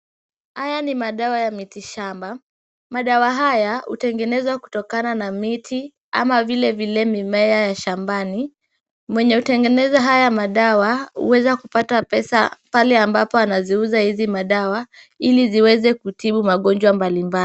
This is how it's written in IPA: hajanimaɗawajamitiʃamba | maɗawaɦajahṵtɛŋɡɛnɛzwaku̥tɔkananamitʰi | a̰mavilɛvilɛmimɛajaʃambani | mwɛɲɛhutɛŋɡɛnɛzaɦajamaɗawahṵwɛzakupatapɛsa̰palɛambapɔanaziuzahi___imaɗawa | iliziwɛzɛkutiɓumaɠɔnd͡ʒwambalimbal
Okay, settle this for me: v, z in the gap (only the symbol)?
z